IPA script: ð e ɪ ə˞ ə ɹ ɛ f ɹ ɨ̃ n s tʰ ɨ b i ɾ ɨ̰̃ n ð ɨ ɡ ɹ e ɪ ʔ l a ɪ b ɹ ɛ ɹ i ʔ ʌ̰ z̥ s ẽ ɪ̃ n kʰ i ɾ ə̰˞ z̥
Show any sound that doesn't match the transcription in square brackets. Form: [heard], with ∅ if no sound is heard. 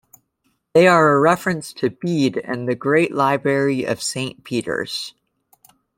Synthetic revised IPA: ð e ɪ ə˞ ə ɹ ɛ f ɹ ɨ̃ n s tʰ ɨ b i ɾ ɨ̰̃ n ð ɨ ɡ ɹ e ɪ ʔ l a ɪ b ɹ ɛ ɹ i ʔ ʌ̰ [v̥] s ẽ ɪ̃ n [pʰ] i ɾ ə̰˞ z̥